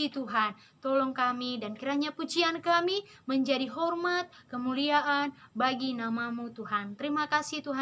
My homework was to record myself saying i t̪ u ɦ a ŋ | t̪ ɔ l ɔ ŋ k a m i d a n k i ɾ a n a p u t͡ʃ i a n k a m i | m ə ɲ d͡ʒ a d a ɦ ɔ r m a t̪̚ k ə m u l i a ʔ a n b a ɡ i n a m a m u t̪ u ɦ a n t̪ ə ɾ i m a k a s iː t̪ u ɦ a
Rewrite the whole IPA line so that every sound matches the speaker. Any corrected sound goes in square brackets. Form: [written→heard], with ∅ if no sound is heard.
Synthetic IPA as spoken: i t̪ u ɦ a [ŋ→n] | t̪ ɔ l ɔ ŋ k a m i d a n k i ɾ a [n→ɲ] a p u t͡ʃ i a n k a m i | m ə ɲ d͡ʒ a d [a→i] ɦ ɔ r m a t̪̚ k ə m u l i a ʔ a n b a ɡ i n a m a m u t̪ u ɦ a n t̪ ə ɾ i m a k a s [iː→i] t̪ u ɦ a